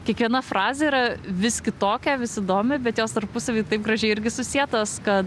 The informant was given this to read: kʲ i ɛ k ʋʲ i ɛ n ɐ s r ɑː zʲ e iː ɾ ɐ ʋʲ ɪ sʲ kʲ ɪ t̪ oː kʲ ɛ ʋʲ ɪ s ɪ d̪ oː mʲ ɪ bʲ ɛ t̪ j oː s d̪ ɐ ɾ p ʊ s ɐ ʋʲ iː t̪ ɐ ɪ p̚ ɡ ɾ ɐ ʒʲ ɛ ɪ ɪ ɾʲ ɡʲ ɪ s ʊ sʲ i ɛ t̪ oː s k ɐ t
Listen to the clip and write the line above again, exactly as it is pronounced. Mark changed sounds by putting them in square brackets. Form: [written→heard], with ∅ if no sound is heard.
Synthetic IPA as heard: kʲ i ɛ k ʋʲ i ɛ n ɐ [s→f] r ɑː zʲ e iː ɾ ɐ ʋʲ ɪ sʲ kʲ ɪ t̪ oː kʲ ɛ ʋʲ ɪ s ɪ d̪ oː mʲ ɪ bʲ ɛ t̪ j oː s [d̪→t̪] ɐ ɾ p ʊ s ɐ ʋʲ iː t̪ ɐ ɪ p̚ ɡ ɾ ɐ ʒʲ ɛ ɪ ɪ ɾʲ ɡʲ ɪ s ʊ sʲ i ɛ t̪ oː s k ɐ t